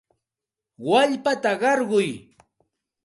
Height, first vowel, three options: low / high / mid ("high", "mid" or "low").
low